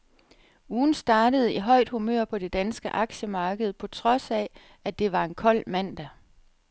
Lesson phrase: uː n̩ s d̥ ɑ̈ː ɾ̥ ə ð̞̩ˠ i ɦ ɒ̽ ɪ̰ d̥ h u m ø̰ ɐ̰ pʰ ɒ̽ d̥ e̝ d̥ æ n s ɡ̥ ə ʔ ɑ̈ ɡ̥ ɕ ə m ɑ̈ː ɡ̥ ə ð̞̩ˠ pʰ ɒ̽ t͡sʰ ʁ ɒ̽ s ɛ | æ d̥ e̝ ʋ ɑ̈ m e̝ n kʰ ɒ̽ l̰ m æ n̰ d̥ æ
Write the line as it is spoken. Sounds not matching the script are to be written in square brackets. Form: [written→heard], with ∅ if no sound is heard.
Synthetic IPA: uː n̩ s d̥ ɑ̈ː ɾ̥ ə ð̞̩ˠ i ɦ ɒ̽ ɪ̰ d̥ h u m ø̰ ɐ̰ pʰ ɒ̽ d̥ e̝ d̥ æ n s ɡ̥ ə ʔ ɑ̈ ɡ̥ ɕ ə m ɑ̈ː ɡ̥ ə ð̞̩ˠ pʰ ɒ̽ t͡sʰ ʁ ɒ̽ s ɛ | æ d̥ e̝ ʋ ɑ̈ [m→∅] e̝ n kʰ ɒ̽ l̰ m æ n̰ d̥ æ